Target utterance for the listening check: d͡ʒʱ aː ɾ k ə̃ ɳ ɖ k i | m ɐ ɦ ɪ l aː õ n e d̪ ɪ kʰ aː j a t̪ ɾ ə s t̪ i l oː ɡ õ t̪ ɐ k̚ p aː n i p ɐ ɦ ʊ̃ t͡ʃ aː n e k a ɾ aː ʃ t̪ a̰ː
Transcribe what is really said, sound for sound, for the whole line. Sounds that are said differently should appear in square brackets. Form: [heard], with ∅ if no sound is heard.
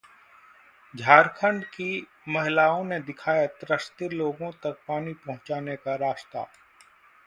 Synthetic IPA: d͡ʒʱ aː ɾ [kʰ] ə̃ ɳ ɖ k i | m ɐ ɦ ɪ l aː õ n e d̪ ɪ kʰ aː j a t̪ ɾ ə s t̪ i l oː ɡ õ t̪ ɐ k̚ p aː n i p ɐ ɦ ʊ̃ t͡ʃ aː n e k a ɾ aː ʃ t̪ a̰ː